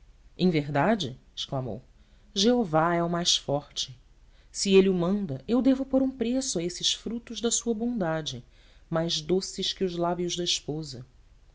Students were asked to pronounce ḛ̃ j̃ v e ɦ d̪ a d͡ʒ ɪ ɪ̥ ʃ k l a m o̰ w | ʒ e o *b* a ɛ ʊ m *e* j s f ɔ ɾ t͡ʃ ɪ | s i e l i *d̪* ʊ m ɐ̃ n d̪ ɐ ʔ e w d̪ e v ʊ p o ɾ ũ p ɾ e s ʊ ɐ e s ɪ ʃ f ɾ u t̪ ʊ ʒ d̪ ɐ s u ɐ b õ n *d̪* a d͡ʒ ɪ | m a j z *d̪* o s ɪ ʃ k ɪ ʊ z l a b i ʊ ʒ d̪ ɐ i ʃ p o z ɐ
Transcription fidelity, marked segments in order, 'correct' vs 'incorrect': incorrect, incorrect, incorrect, correct, correct

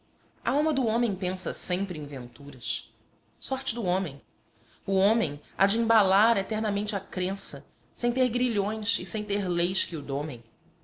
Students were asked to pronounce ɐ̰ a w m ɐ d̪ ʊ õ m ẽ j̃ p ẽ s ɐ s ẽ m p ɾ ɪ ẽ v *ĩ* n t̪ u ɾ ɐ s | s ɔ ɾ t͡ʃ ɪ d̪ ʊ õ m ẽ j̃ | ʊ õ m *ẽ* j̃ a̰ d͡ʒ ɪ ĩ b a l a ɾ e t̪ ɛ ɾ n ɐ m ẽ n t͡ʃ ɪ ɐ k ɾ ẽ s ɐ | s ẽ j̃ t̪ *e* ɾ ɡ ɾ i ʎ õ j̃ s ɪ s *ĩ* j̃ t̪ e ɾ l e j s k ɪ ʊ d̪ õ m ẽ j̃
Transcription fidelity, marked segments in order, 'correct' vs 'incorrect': incorrect, correct, correct, incorrect

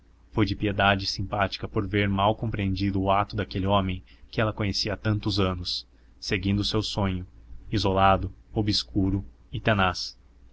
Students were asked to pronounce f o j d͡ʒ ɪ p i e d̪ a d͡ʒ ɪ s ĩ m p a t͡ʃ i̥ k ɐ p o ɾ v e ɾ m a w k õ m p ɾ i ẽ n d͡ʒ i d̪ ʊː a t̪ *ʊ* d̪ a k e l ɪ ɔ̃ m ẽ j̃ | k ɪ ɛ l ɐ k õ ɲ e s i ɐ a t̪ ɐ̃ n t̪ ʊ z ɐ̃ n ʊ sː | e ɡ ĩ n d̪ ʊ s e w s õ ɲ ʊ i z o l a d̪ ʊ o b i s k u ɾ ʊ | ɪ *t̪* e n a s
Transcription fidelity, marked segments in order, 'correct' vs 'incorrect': correct, correct

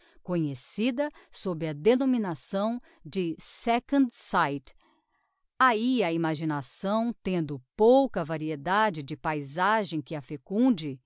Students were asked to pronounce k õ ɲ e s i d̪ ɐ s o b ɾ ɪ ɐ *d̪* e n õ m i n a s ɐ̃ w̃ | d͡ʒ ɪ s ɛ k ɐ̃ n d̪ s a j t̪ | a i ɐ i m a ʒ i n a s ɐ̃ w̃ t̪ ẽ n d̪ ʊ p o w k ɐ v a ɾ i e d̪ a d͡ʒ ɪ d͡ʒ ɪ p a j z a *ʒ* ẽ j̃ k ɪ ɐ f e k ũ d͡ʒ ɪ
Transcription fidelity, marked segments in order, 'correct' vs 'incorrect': correct, correct

